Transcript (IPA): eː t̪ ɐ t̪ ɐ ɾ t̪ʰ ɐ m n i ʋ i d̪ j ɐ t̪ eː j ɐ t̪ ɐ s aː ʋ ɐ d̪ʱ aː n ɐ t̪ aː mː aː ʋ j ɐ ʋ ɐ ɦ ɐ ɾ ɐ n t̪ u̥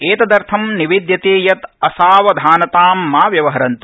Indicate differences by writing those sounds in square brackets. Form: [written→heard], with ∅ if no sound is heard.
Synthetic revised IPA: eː t̪ ɐ [t̪→d̪] ɐ ɾ t̪ʰ ɐ m n i ʋ i d̪ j ɐ t̪ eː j ɐ t̪ ɐ s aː ʋ ɐ d̪ʱ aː n ɐ t̪ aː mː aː ʋ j ɐ ʋ ɐ ɦ ɐ ɾ ɐ n t̪ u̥

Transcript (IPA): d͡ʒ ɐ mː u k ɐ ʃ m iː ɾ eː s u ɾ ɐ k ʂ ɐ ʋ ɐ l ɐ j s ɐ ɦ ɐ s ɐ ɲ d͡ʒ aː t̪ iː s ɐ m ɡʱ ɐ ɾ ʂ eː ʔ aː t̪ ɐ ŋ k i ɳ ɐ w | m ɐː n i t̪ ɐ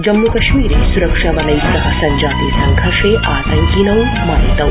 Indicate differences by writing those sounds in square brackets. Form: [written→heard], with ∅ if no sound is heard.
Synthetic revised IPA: d͡ʒ ɐ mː u k ɐ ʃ m iː ɾ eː s u ɾ ɐ k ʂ ɐ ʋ ɐ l ɐ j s ɐ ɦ ɐ s ɐ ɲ d͡ʒ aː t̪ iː s ɐ [m→ŋ] ɡʱ ɐ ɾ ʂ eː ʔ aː t̪ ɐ ŋ k i [ɳ→n] ɐ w | m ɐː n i t̪ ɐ

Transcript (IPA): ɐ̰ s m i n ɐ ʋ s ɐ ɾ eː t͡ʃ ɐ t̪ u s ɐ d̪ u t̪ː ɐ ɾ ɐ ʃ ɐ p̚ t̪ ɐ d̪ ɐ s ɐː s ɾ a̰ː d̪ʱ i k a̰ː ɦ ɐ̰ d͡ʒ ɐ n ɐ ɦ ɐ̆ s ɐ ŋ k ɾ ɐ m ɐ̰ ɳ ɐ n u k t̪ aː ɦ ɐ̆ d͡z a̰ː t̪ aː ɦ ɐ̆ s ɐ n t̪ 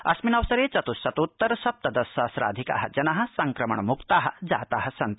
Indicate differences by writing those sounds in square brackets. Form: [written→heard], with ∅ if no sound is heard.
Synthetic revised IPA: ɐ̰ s m i n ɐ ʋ s ɐ ɾ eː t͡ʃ ɐ t̪ u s ɐ [d̪→t̪] u t̪ː ɐ ɾ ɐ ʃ ɐ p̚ t̪ ɐ d̪ ɐ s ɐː s ɾ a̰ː d̪ʱ i k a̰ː ɦ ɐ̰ d͡ʒ ɐ n ɐ ɦ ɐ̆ s ɐ ŋ k ɾ ɐ m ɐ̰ ɳ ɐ [n→m] u k t̪ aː ɦ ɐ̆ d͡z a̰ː t̪ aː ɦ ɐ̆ s ɐ n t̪

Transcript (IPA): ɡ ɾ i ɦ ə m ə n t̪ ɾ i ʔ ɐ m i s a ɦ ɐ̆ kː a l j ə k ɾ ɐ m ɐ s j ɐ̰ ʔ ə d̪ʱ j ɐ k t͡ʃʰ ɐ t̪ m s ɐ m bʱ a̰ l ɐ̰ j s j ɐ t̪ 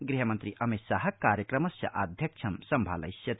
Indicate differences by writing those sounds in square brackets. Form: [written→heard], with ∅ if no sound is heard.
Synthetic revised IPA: ɡ ɾ i ɦ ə m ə n t̪ ɾ i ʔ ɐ m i s a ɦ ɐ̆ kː a [l→ɾ] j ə k ɾ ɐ m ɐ s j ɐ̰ ʔ [ə→a] d̪ʱ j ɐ k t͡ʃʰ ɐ [t̪→∅] m s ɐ m bʱ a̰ l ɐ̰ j s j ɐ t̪

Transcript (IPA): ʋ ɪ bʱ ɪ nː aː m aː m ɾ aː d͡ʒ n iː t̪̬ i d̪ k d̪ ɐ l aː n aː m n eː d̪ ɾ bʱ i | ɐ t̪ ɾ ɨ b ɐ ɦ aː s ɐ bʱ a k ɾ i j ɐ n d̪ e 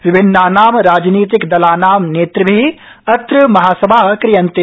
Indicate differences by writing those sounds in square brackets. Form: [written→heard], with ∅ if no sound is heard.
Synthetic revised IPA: ʋ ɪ bʱ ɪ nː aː [m→n] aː m ɾ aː d͡ʒ n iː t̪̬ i [d̪→∅] k d̪ ɐ l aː n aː m n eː [d̪→t̪] ɾ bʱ i | ɐ t̪ ɾ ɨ [b→m] ɐ ɦ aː s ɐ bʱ a k ɾ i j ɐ n [d̪→t̪] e

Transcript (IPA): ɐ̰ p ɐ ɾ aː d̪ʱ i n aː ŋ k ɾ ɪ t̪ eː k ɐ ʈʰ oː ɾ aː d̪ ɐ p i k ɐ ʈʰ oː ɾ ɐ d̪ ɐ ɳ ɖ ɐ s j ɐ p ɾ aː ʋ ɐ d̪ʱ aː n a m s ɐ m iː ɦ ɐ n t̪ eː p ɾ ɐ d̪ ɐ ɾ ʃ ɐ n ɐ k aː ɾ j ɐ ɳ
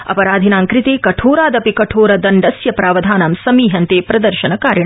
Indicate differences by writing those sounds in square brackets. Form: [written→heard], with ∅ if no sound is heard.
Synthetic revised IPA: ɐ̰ p ɐ ɾ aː d̪ʱ i n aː ŋ k ɾ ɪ t̪ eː k ɐ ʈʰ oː ɾ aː d̪ ɐ p i k ɐ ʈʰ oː ɾ ɐ d̪ ɐ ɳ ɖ ɐ s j ɐ p ɾ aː ʋ ɐ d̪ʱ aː n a m s ɐ m iː ɦ ɐ n t̪ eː p ɾ ɐ d̪ ɐ ɾ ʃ ɐ n ɐ k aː ɾ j ɐ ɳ

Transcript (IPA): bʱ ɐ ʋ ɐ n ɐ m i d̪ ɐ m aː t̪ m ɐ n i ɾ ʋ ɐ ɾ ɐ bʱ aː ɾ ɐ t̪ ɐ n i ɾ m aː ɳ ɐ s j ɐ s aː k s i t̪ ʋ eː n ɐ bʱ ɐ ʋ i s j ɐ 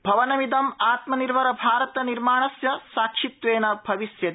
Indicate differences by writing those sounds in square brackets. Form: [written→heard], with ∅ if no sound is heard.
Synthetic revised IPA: bʱ ɐ ʋ ɐ n ɐ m i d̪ ɐ m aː t̪ m ɐ n i ɾ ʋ ɐ ɾ ɐ bʱ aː ɾ ɐ t̪ ɐ n i ɾ m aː ɳ ɐ s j ɐ s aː k [s→ʂ] i t̪ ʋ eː n ɐ bʱ ɐ ʋ i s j ɐ

